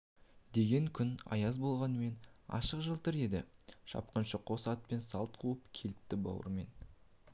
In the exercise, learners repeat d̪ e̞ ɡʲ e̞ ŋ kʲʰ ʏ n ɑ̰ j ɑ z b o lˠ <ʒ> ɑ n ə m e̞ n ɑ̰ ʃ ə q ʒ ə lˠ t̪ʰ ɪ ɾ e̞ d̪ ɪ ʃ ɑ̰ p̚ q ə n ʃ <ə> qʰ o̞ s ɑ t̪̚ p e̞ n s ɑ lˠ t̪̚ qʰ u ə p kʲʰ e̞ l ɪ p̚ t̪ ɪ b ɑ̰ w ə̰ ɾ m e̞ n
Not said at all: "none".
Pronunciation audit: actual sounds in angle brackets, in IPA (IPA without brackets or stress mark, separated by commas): ʁ, ə